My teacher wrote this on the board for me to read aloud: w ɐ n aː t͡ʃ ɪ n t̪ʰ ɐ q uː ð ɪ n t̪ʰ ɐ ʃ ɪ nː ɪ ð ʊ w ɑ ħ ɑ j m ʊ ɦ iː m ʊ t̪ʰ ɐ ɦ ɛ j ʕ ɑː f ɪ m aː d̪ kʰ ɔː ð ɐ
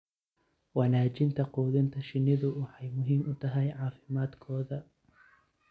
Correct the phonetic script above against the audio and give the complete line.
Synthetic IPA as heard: w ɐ n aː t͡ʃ ɪ n t̪ʰ ɐ q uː ð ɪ n t̪ʰ ɐ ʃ ɪ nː ɪ ð ʊ w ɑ ħ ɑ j m ʊ ɦ iː m ʊ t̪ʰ ɐ ɦ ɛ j ʕ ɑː f ɪ m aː d̪ kʰ ɔː ð ɐ